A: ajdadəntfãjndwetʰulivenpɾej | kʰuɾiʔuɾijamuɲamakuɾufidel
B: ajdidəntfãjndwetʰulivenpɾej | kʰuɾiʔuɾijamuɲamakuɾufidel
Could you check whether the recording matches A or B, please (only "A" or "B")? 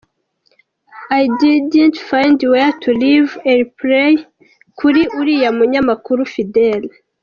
B